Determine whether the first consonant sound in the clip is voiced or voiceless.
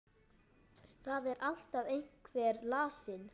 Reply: voiceless